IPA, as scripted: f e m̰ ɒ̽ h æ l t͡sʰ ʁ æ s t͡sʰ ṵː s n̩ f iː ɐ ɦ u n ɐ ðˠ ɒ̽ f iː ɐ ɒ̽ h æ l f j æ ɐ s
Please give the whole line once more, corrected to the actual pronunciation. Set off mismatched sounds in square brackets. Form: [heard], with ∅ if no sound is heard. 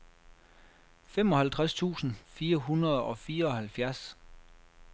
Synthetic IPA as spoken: f e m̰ ɒ̽ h æ l t͡sʰ ʁ [a] s t͡sʰ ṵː s n̩ f iː ɐ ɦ u n ɐ ðˠ ɒ̽ f iː ɐ ɒ̽ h æ l f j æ ɐ s